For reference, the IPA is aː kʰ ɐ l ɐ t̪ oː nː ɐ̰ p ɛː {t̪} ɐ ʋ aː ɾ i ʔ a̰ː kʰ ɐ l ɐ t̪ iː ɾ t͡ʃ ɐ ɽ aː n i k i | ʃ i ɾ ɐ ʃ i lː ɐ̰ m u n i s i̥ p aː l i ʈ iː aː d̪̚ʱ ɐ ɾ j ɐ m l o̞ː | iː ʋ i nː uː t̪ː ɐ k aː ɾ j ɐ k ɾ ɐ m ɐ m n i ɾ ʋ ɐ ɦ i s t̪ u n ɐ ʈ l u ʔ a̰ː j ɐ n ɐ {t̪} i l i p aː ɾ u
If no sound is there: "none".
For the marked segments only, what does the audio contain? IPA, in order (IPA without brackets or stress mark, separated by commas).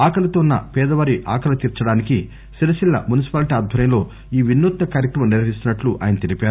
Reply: d̪, t̪